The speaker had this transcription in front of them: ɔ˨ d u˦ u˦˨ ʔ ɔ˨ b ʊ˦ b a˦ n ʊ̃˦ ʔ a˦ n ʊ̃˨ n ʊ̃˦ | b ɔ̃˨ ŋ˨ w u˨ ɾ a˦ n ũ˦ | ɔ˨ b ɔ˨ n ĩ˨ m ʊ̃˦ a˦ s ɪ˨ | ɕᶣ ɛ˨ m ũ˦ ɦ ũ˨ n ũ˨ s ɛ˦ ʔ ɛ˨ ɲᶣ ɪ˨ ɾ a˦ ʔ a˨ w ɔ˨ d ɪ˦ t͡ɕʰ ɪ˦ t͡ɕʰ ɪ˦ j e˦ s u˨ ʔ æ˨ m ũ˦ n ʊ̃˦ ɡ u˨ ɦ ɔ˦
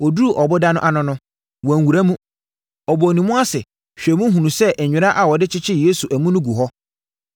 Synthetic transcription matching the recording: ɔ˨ d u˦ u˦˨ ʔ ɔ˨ b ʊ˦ d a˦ n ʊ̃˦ ʔ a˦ n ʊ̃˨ n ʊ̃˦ | w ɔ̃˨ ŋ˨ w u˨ ɾ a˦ m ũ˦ | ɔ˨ b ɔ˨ n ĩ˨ m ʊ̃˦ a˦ s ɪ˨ | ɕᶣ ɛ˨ m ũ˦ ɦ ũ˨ n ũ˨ s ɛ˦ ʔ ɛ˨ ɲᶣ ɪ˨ ɾ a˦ ʔ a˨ w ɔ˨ d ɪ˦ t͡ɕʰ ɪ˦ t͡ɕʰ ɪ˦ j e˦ s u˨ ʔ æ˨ m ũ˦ n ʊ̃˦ ɡ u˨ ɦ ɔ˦